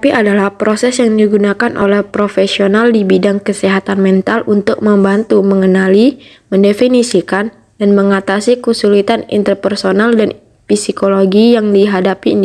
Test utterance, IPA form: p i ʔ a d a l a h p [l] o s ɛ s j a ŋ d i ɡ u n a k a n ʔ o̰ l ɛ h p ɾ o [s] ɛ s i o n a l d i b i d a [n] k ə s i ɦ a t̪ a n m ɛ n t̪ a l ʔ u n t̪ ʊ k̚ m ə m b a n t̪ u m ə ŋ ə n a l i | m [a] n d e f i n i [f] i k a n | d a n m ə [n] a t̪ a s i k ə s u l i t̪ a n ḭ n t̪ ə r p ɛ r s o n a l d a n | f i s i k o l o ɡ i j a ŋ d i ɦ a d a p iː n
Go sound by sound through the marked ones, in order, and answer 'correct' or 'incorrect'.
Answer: incorrect: ɾ, incorrect: f, incorrect: ŋ, incorrect: ə, incorrect: s, incorrect: ŋ

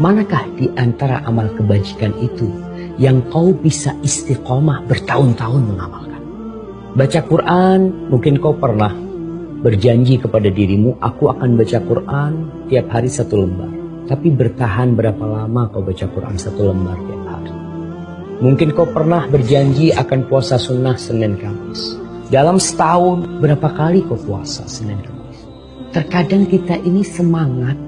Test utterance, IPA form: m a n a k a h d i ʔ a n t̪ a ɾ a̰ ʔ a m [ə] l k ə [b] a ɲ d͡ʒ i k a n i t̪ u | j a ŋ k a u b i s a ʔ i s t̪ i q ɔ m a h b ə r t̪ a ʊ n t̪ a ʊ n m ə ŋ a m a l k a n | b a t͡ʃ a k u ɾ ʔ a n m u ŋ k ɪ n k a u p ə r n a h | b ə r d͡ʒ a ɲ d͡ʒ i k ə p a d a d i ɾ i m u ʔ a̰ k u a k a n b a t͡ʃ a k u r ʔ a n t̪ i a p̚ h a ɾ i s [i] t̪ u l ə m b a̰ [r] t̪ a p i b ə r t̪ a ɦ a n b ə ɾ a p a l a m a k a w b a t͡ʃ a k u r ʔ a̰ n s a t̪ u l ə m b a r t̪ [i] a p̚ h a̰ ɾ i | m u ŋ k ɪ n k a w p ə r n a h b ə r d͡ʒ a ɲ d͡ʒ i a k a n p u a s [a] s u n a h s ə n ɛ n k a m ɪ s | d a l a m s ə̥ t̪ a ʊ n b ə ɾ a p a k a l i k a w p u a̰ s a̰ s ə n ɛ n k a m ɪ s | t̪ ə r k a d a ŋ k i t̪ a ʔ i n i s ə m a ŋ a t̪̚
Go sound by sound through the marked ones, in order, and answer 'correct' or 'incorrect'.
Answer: incorrect: a, correct, incorrect: a, correct, correct, correct

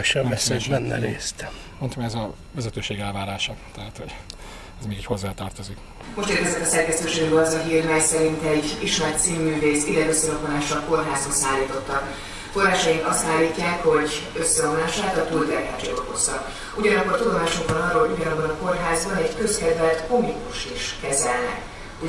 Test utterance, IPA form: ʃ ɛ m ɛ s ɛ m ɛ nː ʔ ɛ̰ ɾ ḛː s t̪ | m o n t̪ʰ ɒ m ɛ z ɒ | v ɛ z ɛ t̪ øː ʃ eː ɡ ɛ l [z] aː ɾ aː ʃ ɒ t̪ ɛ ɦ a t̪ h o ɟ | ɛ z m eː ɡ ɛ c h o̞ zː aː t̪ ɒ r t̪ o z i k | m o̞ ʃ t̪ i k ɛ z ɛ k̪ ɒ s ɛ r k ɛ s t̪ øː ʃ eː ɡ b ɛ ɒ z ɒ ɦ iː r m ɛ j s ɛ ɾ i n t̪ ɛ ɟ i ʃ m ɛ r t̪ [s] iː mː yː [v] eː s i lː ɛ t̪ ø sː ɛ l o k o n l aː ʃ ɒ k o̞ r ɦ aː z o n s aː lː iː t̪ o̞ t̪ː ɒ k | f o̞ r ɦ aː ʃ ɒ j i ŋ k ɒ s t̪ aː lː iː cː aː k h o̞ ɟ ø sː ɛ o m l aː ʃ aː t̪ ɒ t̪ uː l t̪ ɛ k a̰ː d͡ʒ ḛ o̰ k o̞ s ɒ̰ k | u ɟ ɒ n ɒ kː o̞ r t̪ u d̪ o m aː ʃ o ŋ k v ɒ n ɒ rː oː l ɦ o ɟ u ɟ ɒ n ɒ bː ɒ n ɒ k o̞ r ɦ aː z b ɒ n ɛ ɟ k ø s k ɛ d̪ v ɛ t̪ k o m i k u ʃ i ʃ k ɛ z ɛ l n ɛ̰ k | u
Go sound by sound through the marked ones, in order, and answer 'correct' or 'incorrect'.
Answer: incorrect: v, correct, correct

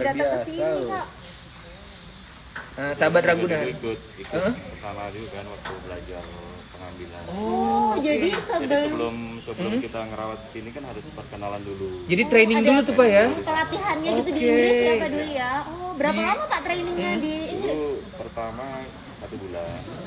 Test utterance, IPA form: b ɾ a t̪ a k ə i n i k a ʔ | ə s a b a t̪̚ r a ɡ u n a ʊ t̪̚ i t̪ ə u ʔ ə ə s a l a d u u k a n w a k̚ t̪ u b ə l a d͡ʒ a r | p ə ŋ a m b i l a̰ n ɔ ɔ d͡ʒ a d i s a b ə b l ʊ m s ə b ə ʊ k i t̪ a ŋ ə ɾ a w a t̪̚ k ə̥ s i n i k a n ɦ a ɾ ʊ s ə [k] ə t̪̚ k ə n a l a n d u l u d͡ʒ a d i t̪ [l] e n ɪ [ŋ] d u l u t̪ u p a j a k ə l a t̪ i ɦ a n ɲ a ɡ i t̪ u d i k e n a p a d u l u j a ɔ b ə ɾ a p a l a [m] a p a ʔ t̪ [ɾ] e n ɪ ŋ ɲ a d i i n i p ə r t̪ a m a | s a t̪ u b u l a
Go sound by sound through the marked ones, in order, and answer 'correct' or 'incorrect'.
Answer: incorrect: p, incorrect: ɾ, correct, correct, correct

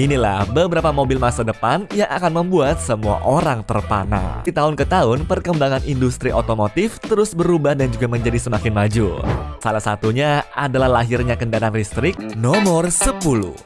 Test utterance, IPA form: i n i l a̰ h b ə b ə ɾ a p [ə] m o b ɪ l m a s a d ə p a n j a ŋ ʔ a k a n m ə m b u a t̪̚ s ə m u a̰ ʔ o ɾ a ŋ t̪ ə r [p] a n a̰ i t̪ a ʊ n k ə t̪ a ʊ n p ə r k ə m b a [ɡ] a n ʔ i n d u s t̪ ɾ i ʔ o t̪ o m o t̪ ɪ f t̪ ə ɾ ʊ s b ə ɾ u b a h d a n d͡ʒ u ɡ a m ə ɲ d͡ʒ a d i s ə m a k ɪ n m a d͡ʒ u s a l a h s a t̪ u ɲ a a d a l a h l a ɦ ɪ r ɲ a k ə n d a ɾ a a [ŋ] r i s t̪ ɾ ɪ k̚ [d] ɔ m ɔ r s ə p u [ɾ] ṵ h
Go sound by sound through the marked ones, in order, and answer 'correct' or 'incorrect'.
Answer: incorrect: a, correct, incorrect: ŋ, incorrect: n, incorrect: n, incorrect: l

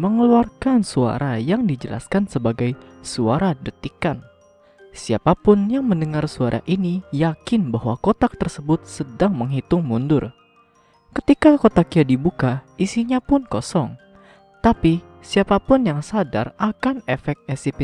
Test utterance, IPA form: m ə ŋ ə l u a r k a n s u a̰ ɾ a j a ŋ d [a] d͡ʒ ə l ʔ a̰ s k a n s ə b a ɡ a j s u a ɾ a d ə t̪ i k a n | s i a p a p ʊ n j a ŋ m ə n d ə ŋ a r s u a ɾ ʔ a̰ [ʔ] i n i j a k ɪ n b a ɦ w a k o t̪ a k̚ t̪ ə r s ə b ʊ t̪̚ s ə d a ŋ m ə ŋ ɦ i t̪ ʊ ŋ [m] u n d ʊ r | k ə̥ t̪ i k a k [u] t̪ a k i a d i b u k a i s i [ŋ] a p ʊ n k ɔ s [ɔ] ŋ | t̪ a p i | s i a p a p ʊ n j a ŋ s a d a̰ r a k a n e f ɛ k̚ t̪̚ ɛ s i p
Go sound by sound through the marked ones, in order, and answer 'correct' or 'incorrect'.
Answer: incorrect: i, correct, correct, incorrect: o, incorrect: ɲ, correct

